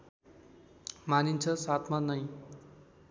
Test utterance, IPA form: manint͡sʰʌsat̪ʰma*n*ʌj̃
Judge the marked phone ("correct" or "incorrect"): correct